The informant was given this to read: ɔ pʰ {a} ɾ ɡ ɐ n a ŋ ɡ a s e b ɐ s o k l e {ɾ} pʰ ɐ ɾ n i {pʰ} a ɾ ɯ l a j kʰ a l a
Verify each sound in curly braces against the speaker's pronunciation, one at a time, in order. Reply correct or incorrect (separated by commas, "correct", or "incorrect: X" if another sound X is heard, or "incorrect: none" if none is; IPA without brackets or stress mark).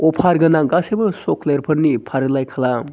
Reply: correct, correct, correct